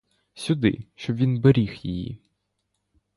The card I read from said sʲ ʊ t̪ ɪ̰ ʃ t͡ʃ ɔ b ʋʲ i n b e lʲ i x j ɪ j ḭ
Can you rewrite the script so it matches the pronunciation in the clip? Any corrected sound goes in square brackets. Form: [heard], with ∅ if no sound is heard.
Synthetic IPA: sʲ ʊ [d̪] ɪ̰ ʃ t͡ʃ ɔ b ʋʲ i n b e [ɾʲ] i x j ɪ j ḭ